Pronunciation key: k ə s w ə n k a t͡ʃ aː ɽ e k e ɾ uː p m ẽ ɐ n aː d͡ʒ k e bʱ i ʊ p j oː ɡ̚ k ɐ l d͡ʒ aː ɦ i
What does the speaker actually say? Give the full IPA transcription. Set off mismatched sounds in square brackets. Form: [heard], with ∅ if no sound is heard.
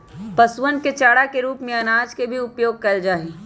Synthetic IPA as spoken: [p] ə s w ə n k [e] t͡ʃ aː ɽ [a] k e ɾ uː p m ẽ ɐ n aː d͡ʒ k e bʱ i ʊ p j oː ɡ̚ k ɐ l d͡ʒ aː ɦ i